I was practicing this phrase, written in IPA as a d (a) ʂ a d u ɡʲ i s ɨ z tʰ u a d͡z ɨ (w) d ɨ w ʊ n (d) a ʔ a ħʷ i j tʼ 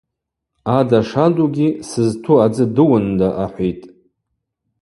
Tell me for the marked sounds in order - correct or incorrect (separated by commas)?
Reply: correct, incorrect, correct